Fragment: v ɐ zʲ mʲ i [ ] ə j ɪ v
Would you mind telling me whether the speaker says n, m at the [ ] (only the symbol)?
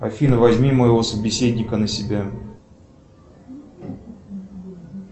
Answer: m